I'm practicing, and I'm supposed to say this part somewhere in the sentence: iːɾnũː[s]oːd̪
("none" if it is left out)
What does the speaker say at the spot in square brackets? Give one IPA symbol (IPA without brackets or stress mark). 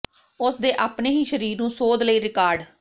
s